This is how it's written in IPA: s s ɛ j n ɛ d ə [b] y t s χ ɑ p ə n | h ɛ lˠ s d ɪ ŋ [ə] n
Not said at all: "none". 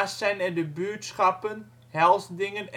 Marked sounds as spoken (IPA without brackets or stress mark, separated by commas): b, ə